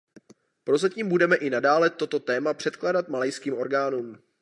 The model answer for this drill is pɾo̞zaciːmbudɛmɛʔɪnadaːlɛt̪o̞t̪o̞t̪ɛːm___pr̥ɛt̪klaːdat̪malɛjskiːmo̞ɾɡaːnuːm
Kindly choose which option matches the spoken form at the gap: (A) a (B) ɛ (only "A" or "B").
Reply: A